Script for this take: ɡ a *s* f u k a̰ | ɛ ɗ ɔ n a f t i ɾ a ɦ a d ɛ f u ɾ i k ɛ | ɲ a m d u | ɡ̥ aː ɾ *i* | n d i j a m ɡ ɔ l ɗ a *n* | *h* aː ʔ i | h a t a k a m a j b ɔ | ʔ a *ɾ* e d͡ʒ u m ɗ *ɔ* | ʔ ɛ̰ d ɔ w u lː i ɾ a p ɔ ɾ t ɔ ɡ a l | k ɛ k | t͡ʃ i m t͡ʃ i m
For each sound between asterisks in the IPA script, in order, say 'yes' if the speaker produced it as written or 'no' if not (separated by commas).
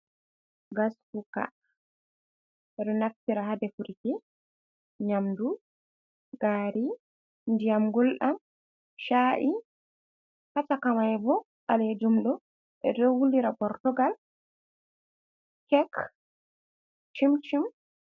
yes, yes, no, no, no, yes